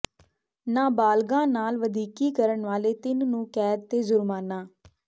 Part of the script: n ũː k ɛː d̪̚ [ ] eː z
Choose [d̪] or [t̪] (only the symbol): t̪